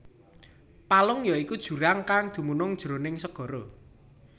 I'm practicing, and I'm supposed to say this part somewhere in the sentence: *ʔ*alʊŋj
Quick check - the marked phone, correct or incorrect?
incorrect